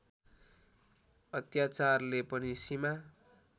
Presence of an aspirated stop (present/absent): absent